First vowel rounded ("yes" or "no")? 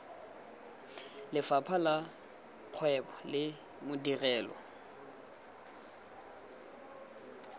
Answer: no